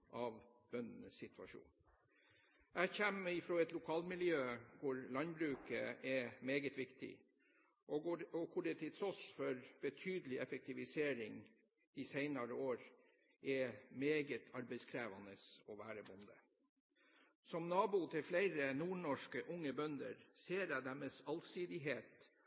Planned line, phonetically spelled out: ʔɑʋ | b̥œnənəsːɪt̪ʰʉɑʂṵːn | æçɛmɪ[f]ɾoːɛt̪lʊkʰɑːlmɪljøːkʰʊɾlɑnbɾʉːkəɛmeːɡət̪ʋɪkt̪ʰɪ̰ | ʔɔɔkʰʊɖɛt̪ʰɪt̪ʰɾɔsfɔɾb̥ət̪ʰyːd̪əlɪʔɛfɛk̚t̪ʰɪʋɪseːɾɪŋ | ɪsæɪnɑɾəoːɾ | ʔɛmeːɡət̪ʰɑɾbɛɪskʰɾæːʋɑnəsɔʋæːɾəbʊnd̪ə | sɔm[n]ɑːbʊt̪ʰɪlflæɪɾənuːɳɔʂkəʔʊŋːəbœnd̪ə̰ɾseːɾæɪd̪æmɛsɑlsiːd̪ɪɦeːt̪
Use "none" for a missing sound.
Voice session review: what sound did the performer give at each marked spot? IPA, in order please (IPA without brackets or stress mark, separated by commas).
f, n